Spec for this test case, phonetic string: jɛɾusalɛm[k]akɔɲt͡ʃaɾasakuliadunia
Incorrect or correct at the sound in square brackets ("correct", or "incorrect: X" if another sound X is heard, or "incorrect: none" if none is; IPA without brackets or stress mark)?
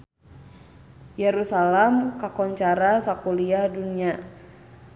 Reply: correct